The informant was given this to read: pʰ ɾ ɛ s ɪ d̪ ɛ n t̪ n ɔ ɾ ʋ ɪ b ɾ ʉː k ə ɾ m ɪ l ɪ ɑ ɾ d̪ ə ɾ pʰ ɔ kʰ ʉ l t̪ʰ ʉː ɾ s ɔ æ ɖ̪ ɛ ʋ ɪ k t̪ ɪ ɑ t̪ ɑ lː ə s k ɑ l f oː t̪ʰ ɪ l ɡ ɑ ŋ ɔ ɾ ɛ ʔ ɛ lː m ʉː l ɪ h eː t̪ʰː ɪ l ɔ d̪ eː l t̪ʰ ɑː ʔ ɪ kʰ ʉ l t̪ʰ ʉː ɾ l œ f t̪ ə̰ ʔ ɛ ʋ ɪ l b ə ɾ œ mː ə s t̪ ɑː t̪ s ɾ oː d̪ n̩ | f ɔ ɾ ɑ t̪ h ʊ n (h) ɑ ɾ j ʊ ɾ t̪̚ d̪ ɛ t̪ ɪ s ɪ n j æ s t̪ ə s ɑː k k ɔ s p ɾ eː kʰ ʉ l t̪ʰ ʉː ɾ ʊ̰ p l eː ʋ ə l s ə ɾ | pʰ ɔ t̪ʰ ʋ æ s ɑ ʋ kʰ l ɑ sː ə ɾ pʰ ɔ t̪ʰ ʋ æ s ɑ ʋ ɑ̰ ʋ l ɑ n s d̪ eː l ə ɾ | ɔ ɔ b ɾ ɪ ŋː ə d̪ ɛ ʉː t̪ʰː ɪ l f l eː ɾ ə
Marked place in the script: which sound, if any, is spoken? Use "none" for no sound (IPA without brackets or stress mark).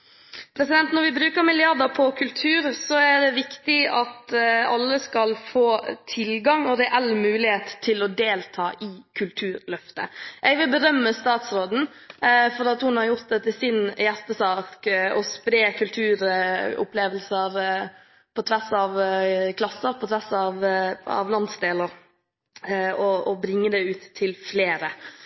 h